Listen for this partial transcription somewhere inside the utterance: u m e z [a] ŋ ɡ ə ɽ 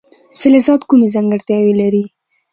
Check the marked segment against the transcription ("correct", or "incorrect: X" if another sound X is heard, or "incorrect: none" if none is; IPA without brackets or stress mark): correct